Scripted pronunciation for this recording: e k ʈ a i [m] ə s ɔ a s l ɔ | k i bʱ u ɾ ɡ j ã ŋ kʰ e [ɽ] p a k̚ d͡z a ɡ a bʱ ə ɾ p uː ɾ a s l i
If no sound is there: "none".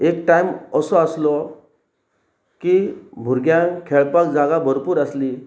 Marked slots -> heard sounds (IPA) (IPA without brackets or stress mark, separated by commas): m, ɭ